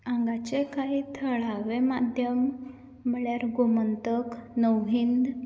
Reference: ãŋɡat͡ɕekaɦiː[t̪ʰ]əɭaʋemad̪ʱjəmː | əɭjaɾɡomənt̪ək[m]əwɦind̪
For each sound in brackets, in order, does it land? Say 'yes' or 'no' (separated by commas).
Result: yes, no